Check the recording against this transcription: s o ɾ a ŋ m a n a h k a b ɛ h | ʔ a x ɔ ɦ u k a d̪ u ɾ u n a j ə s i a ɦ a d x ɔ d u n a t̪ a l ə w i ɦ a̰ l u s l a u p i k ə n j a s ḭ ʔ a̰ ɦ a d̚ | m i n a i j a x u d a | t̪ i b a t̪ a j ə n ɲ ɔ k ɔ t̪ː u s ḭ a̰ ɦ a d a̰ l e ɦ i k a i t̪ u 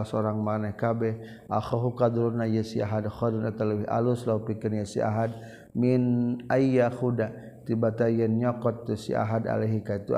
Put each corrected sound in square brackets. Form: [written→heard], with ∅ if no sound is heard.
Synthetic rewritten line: s o ɾ a ŋ m a n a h k a b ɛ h | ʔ a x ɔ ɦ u k a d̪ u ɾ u n a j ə s i a ɦ a d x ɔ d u n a t̪ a l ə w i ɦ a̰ l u s l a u p i k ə n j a s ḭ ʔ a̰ ɦ a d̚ | m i n a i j a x u d a | t̪ i b a t̪ a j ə n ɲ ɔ k ɔ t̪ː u s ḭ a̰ ɦ a d a̰ l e ɦ i k a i t̪ u